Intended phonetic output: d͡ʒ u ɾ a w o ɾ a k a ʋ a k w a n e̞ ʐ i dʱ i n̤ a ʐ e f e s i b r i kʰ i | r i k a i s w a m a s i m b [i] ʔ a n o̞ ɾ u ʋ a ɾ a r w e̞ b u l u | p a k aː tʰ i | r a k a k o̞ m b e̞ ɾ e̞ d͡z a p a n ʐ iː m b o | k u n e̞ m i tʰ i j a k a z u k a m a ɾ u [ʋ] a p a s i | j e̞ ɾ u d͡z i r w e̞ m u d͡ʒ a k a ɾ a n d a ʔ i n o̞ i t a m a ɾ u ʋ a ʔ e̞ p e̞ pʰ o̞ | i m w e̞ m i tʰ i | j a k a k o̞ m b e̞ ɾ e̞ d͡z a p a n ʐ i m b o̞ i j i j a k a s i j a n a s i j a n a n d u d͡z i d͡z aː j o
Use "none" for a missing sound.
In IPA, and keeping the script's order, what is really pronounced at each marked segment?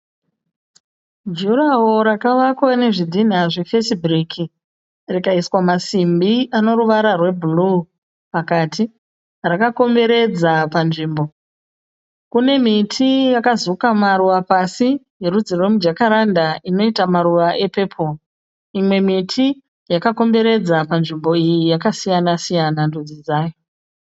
i, ʋ

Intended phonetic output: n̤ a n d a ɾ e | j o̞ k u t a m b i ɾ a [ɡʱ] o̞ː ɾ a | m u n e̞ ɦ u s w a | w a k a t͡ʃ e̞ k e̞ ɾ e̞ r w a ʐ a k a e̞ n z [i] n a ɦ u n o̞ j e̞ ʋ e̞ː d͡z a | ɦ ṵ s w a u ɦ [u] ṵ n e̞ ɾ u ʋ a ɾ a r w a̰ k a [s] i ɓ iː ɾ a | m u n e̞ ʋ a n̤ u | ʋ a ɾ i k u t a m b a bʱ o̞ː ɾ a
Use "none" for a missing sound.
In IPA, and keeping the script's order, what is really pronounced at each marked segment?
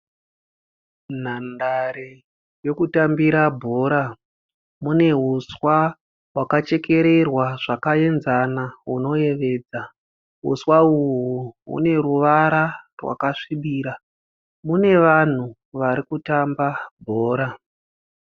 bʱ, a, u, ʂ

